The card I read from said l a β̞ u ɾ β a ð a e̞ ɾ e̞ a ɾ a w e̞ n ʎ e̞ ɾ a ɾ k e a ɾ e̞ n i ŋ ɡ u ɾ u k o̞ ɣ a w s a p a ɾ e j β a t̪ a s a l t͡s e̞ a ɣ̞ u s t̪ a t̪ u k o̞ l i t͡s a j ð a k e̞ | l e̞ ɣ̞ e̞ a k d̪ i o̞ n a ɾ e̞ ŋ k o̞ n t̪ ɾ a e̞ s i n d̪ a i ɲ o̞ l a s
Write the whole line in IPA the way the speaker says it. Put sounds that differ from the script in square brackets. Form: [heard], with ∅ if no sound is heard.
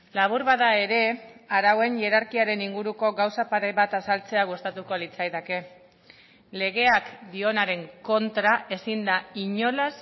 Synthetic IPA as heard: l a β̞ u ɾ β a ð a e̞ ɾ e̞ a ɾ a w e̞ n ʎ e̞ ɾ a ɾ k [i] a ɾ e̞ n i ŋ ɡ u ɾ u k o̞ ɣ a w s a p a ɾ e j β a t̪ a s a l t͡s e̞ a ɣ̞ u s t̪ a t̪ u k o̞ l i t͡s a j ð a k e̞ | l e̞ ɣ̞ e̞ a k d̪ i o̞ n a ɾ e̞ ŋ k o̞ n t̪ ɾ a e̞ s i n d̪ a i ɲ o̞ l a s